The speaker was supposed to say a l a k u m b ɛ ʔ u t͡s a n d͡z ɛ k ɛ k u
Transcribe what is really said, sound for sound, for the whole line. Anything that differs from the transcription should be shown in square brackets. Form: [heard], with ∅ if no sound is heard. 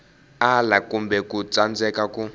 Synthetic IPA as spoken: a l a k u m b ɛ [k] u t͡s a n d͡z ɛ k [a] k u